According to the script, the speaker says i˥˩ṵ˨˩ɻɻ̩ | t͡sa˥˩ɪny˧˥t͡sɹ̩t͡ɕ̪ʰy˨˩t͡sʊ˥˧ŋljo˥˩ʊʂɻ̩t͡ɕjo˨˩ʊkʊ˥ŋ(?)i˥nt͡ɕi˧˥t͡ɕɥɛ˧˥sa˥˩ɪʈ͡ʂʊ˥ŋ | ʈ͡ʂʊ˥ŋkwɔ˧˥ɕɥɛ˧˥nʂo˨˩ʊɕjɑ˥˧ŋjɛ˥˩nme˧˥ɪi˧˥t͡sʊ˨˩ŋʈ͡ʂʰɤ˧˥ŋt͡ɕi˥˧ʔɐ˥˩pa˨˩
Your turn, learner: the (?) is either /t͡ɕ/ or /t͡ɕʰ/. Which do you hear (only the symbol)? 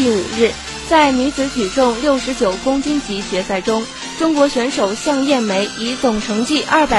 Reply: t͡ɕ